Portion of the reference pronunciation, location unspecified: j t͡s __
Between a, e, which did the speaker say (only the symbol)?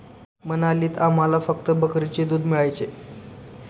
e